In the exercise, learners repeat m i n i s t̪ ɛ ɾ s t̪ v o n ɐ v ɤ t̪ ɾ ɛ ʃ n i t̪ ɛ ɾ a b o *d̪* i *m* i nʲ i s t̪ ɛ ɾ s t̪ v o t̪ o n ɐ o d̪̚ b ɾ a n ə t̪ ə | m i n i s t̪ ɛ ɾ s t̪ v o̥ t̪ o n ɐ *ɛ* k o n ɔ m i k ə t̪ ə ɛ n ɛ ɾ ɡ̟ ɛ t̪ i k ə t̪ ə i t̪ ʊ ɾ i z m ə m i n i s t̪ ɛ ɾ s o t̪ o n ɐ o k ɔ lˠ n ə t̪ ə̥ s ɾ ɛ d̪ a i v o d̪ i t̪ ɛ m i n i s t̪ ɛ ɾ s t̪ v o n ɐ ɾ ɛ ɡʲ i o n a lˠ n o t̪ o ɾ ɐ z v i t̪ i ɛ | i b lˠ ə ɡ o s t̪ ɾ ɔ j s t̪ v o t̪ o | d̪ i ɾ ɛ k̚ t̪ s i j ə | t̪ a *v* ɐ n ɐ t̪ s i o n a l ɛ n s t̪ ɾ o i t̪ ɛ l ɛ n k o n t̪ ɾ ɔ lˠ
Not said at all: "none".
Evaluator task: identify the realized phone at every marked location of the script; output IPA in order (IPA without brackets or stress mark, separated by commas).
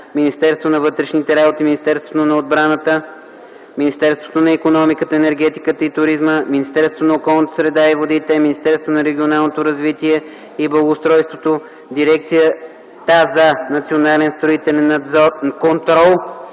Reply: t̪, m, i, z